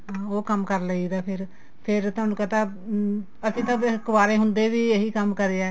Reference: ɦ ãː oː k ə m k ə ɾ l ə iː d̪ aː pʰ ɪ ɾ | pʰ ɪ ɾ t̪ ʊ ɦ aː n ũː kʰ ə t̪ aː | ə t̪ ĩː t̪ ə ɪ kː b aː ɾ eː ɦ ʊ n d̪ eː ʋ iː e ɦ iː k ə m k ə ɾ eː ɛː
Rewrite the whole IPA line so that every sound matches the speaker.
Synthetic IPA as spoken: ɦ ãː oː k ə m k ə ɾ l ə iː d̪ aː pʰ ɪ ɾ | pʰ ɪ ɾ t̪ ʊ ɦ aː n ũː k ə t̪ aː | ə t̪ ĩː t̪ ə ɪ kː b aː ɾ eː ɦ ʊ n d̪ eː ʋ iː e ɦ iː k ə m k ə ɾ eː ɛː

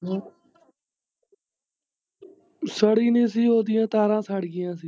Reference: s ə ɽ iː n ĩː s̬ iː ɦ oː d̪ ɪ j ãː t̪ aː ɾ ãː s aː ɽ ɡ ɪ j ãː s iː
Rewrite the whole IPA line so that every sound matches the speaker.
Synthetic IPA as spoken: s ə ɽ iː n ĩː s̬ iː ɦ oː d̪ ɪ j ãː t̪ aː ɾ ãː s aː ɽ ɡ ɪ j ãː s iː

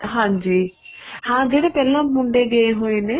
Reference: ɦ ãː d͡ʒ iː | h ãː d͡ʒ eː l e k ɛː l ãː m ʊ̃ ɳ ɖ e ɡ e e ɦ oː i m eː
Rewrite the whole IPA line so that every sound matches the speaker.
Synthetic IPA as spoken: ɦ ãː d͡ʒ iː | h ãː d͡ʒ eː ɽ e p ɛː l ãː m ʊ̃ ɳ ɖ e ɡ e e ɦ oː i n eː

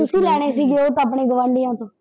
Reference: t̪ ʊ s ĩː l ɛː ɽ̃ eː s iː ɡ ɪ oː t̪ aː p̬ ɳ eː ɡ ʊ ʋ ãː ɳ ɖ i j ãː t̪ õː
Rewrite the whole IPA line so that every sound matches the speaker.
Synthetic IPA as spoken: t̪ ʊ s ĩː l ɛː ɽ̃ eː s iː ɡ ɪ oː t̪ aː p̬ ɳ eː ɡ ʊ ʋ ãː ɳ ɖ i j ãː t̪ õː

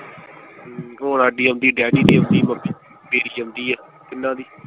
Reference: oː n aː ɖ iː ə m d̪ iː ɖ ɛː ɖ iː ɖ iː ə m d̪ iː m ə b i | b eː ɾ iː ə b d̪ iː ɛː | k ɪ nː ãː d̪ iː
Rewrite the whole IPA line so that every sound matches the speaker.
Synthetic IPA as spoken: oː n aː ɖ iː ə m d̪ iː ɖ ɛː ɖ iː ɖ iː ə m d̪ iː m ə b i | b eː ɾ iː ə m d̪ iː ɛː | k ɪ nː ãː d̪ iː

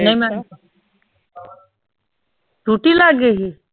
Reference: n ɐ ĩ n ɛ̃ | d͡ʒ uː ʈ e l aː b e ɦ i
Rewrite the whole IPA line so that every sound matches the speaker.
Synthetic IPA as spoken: n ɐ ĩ m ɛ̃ | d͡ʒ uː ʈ i l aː ɡ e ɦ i

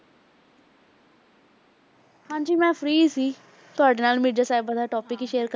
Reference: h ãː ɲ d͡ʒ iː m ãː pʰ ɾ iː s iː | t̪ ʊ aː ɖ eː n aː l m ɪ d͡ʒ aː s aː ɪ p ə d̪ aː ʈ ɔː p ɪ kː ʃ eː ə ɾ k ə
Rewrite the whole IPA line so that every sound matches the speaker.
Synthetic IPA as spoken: h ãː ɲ d͡ʒ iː m ɛ̃ː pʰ ɾ iː s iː | t̪ ʊ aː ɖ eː n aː l m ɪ d͡ʒ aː s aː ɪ b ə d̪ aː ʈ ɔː p ɪ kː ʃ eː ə ɾ k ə

